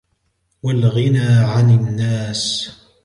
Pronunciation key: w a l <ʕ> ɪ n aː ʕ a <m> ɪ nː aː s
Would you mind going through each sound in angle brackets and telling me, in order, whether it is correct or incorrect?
incorrect, incorrect

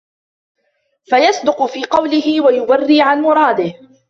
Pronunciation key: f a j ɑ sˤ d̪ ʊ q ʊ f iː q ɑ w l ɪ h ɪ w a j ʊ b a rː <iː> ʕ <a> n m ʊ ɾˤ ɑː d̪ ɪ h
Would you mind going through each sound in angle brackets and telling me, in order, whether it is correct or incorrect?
correct, correct

